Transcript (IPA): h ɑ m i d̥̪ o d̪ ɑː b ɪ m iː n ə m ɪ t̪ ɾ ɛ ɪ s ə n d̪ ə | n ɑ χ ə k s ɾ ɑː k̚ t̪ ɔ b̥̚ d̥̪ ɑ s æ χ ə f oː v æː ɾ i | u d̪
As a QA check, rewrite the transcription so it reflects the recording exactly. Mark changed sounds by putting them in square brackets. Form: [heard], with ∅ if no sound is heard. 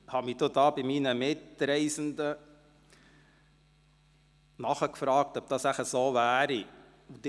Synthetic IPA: h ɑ m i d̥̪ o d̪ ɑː b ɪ m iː n ə m ɪ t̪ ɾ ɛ ɪ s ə n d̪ ə | n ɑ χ ə k [f] ɾ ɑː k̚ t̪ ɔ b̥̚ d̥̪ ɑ s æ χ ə [s] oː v æː ɾ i | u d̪

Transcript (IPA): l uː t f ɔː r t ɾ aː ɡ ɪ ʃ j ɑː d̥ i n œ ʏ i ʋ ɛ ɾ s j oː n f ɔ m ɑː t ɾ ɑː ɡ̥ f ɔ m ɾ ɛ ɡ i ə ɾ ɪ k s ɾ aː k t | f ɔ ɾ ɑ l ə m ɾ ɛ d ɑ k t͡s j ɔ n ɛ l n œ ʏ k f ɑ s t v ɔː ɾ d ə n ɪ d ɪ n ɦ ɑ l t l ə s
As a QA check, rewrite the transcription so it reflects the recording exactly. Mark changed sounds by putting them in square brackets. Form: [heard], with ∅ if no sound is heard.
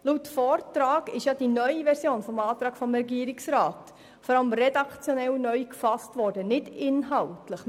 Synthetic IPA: l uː t f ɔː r t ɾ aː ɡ ɪ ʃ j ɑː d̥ i n œ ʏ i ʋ ɛ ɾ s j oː n f ɔ m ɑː t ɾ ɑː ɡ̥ f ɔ m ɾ ɛ ɡ i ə ɾ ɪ k s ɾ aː [∅] t | f ɔ ɾ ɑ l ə m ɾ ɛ d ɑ k t͡s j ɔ n ɛ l n œ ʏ k f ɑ s t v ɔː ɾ d ə n ɪ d ɪ n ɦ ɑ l t l ə [χ]

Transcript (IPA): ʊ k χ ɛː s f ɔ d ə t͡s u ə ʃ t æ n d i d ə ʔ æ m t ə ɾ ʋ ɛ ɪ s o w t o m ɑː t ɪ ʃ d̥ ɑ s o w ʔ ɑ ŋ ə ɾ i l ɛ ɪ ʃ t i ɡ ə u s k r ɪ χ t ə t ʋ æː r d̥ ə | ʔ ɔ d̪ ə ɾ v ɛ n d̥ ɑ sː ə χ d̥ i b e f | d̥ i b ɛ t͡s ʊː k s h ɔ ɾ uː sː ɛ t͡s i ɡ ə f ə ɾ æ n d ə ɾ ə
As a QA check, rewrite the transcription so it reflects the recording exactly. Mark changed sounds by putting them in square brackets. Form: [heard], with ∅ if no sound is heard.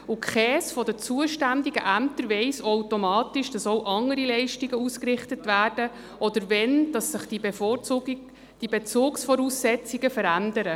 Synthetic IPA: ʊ k χ ɛː s f ɔ d ə t͡s u ə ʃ t æ n d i [ɡ] ə ʔ æ m t ə ɾ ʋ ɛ ɪ s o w t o m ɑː t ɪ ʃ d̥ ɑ s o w ʔ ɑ ŋ ə ɾ i l ɛ ɪ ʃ t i ɡ ə u s k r ɪ χ t ə t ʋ æː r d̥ ə | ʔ ɔ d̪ ə ɾ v ɛ n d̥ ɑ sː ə χ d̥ i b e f | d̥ i b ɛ t͡s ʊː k s [f] ɔ ɾ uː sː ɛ t͡s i ɡ ə f ə ɾ æ n d ə ɾ ə

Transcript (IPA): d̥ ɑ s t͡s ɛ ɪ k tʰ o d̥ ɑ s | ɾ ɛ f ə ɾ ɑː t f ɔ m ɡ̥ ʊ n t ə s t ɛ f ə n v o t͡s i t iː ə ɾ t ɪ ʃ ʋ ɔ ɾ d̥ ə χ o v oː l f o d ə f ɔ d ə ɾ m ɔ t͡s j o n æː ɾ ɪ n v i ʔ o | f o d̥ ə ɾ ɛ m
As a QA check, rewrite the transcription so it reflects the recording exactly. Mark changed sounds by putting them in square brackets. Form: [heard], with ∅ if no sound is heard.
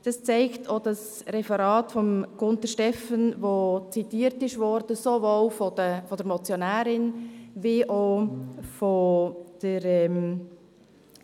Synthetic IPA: d̥ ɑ s t͡s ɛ ɪ k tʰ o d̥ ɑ s | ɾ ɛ f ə ɾ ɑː t f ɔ m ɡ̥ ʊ n t ə [ʃ] t ɛ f ə n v o t͡s i t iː ə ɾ t ɪ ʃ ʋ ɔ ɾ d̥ ə [s] o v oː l f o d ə f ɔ d ə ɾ m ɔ t͡s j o n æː ɾ ɪ n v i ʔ o | f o d̥ ə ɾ ɛ m

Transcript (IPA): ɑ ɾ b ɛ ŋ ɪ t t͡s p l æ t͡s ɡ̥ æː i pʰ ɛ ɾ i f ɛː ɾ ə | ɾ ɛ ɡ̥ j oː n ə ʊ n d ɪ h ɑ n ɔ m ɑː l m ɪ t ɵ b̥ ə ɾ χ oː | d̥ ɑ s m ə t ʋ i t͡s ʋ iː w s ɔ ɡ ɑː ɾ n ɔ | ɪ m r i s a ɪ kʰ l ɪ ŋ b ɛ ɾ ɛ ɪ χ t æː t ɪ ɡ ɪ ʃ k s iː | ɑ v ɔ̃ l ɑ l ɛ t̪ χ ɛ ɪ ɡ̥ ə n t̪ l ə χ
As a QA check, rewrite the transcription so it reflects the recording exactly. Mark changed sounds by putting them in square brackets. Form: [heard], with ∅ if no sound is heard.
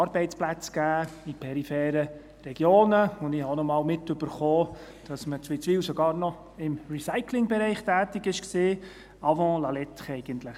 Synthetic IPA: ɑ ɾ b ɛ [∅] ɪ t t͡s p l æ t͡s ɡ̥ æː i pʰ ɛ ɾ i f ɛː ɾ ə | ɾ ɛ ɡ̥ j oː n ə ʊ n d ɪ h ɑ n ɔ m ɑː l m ɪ t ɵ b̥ ə ɾ χ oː | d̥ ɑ s m ə [t͡s] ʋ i t͡s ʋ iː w s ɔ ɡ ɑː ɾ n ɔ | ɪ m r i s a ɪ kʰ l ɪ ŋ b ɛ ɾ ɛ ɪ χ t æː t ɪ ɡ ɪ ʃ k s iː | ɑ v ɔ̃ l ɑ l ɛ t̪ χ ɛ ɪ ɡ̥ ə n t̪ l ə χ

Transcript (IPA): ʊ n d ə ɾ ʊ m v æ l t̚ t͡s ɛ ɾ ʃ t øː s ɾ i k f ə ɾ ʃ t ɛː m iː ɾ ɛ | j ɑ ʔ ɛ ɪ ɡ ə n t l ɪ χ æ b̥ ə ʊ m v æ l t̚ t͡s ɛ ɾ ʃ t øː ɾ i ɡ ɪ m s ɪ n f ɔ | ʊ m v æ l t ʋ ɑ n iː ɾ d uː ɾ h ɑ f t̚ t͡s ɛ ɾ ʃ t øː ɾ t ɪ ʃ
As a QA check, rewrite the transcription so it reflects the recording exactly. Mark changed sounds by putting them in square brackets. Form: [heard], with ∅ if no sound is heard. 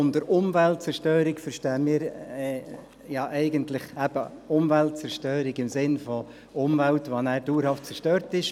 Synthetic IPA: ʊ n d ə ɾ ʊ m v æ l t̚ t͡s ɛ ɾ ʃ t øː [∅] ɾ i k f ə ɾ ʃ t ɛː m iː ɾ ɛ | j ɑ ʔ ɛ ɪ ɡ ə n t l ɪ χ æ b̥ ə ʊ m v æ l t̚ t͡s ɛ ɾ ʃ t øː ɾ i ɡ ɪ m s ɪ n f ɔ | ʊ m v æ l t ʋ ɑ n [æː] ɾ d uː ɾ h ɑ f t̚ t͡s ɛ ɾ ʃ t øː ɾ t ɪ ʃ

